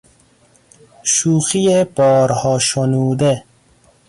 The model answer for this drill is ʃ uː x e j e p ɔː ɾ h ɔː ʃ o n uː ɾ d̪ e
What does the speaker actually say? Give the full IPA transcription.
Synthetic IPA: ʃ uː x i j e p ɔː ɾ h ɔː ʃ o n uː d̪ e